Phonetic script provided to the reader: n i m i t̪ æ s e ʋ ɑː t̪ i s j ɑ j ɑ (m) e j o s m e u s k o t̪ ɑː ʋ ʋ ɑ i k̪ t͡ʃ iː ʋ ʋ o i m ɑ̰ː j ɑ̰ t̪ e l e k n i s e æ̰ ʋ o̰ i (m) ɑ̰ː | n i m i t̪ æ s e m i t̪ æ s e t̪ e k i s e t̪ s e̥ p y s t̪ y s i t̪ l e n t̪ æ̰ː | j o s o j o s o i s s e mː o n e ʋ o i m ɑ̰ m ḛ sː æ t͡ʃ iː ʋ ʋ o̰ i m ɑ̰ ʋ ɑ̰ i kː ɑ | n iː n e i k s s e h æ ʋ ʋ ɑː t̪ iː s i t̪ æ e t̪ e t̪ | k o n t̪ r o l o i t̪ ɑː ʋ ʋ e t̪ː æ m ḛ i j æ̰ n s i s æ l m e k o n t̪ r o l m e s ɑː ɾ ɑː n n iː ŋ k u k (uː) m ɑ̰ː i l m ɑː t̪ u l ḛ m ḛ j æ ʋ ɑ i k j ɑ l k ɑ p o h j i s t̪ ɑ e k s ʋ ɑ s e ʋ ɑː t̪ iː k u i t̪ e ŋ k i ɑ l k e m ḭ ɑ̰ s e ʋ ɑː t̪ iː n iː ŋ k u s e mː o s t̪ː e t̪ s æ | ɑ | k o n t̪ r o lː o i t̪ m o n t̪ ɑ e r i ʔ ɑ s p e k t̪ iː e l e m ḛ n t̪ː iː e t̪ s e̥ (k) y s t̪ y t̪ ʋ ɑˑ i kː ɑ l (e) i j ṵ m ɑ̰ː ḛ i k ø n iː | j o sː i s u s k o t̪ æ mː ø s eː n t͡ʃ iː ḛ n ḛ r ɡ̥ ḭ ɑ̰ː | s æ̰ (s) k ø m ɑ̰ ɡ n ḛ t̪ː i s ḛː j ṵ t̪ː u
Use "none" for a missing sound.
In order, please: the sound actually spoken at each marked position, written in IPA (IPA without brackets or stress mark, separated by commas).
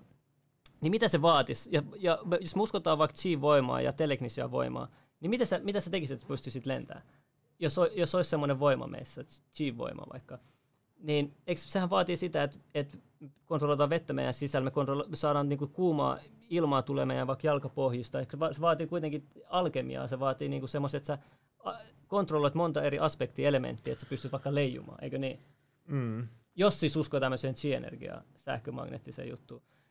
m, m, uː, p, e, h